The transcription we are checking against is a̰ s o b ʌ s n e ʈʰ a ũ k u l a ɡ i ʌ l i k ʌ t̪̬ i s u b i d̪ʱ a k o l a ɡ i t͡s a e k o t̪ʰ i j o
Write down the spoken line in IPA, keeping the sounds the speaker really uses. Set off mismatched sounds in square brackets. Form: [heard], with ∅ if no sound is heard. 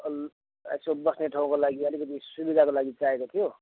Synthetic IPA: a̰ s o b ʌ s n e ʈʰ a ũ k [o] l a ɡ i ʌ l i k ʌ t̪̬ i s u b i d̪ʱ a k o l a ɡ i t͡s a e k o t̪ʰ i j o

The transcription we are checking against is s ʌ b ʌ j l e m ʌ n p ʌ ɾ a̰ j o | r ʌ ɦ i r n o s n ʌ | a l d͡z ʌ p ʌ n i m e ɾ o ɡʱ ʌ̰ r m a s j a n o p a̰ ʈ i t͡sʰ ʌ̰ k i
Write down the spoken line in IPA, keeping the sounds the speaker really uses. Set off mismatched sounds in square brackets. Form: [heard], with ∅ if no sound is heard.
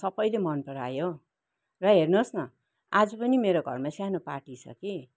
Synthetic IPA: s ʌ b ʌ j l e m ʌ n p ʌ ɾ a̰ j o | r ʌ ɦ [e] r n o s n ʌ | a [∅] d͡z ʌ p ʌ n i m e ɾ o ɡʱ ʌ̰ r m a s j a n o p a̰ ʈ i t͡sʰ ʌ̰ k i

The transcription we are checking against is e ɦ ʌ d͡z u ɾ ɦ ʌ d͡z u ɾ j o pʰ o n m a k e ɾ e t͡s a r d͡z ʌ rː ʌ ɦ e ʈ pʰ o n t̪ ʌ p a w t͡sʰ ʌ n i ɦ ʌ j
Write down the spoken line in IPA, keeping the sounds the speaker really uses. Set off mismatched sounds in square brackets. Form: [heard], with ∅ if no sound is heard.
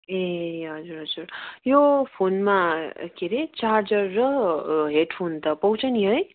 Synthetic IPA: e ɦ ʌ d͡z u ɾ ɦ ʌ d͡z u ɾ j o pʰ o n m a k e ɾ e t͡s a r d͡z ʌ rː ʌ ɦ e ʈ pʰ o n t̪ ʌ p [ʌ] w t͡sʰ ʌ n i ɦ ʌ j

